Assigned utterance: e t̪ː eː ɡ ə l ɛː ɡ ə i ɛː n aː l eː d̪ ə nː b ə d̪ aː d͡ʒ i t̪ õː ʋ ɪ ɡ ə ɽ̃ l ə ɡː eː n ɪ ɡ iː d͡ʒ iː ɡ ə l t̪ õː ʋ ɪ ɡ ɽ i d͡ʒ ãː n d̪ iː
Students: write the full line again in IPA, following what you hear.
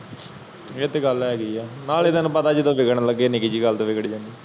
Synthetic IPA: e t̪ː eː ɡ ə l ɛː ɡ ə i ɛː n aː l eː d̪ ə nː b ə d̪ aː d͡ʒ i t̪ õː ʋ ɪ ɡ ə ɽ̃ l ə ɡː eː n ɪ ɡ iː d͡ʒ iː ɡ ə l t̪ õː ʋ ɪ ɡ ɽ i d͡ʒ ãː n d̪ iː